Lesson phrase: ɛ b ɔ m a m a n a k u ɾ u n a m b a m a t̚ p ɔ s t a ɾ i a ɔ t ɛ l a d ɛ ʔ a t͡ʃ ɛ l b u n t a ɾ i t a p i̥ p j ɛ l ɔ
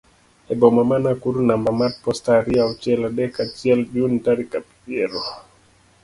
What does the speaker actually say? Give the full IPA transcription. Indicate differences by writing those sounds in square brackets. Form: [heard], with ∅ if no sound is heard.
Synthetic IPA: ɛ b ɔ m a m a n a k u ɾ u n a m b a m a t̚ p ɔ s t a ɾ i a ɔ [t͡ʃ] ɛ l a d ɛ [k] a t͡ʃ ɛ l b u n t a ɾ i [k] a p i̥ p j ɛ [ɾ] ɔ